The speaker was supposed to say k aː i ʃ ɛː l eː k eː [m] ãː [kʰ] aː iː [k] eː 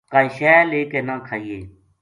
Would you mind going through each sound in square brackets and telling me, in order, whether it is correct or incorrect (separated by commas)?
incorrect, correct, incorrect